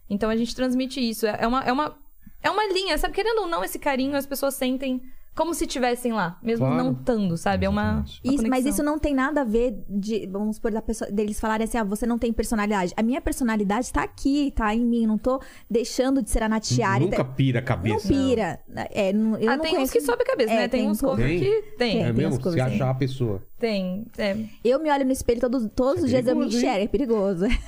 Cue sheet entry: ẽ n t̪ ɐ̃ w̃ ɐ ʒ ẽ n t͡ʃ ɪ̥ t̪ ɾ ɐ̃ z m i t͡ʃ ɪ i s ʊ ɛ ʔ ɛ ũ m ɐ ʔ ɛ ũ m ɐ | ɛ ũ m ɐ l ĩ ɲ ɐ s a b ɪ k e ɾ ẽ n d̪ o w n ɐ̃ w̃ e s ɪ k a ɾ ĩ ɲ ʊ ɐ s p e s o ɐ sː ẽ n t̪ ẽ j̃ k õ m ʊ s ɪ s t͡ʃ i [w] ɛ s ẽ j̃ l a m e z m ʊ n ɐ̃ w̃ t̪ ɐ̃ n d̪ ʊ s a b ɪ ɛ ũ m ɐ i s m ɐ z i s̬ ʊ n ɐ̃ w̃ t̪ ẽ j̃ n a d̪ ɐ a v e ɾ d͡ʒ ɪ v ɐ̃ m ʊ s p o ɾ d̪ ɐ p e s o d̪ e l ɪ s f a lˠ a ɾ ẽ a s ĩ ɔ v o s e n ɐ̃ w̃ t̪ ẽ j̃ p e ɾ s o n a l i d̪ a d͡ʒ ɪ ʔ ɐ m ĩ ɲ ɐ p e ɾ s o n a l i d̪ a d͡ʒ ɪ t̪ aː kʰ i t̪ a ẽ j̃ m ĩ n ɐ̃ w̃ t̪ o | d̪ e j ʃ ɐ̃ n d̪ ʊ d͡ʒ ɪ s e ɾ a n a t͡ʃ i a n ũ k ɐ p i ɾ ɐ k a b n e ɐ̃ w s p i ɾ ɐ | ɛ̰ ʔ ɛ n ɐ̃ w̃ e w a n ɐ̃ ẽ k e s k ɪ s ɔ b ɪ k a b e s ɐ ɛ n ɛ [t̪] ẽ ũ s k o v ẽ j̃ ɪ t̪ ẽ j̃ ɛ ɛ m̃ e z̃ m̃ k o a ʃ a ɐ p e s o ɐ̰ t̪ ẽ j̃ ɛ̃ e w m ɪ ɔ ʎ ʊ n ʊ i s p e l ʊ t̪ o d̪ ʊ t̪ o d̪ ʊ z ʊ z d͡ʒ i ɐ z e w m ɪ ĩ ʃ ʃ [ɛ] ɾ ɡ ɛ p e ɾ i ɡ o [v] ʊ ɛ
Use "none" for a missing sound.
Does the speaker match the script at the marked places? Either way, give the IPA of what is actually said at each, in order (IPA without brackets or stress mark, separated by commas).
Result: v, t̪, ɛ, z